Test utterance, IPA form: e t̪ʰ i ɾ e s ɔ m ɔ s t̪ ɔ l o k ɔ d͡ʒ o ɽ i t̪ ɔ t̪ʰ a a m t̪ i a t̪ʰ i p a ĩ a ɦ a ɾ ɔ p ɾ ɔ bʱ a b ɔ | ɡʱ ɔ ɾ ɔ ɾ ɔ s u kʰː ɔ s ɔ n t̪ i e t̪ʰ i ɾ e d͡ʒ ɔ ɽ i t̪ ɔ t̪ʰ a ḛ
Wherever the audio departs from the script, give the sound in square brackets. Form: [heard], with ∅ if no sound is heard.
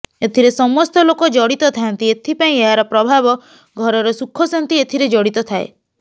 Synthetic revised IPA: e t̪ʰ i ɾ e s ɔ m ɔ s t̪ ɔ l o k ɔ d͡ʒ [ɔ] ɽ i t̪ ɔ t̪ʰ a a [n] t̪ i [e] t̪ʰ i p a ĩ [e] ɦ a ɾ ɔ p ɾ ɔ bʱ a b ɔ | ɡʱ ɔ ɾ ɔ ɾ ɔ s u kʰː ɔ s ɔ n t̪ i e t̪ʰ i ɾ e d͡ʒ ɔ ɽ i t̪ ɔ t̪ʰ a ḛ